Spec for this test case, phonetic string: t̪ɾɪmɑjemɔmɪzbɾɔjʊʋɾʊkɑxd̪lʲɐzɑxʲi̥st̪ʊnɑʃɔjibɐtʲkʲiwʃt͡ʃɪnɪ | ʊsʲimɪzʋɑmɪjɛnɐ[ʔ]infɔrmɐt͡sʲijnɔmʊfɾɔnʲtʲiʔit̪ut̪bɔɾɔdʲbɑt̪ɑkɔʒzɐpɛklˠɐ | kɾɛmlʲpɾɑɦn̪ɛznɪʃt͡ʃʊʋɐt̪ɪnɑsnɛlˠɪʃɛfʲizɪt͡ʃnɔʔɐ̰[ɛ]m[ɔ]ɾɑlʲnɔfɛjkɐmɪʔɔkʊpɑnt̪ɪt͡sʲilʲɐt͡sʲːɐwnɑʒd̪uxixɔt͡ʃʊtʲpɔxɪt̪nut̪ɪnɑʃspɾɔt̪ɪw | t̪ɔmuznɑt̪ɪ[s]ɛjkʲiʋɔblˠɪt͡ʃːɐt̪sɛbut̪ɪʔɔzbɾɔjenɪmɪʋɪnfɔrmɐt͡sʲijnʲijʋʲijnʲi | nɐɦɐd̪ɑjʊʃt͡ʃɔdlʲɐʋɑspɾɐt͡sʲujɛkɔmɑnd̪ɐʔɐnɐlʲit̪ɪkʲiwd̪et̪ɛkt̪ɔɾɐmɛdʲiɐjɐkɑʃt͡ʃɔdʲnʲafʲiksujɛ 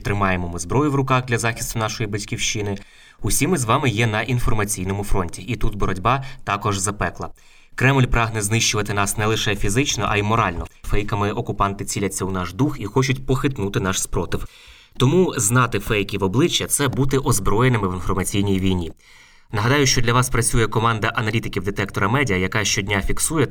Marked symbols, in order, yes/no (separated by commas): yes, no, yes, no